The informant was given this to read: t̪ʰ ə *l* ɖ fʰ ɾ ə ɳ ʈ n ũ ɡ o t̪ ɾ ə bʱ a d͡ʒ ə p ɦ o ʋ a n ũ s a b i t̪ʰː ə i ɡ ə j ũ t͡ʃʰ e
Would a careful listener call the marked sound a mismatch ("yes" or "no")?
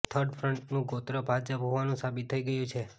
yes